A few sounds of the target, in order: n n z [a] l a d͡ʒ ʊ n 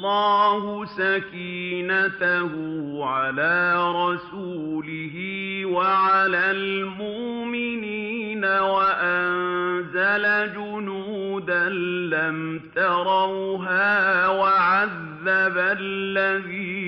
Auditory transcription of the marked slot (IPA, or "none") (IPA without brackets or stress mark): a